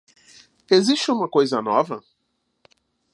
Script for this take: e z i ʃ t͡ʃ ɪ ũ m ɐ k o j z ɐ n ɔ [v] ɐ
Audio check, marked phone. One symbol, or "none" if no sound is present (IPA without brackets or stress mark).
v